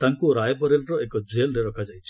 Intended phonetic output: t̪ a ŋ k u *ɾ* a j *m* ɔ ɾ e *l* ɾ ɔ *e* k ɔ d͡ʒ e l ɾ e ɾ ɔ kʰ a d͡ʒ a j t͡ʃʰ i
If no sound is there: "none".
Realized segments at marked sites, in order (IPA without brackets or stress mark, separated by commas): ɾ, b, l, e